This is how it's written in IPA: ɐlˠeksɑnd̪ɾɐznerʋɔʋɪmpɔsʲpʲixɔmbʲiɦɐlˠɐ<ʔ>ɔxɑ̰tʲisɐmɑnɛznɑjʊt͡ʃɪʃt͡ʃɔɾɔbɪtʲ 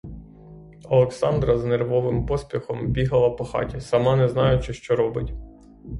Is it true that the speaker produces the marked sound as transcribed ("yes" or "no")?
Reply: no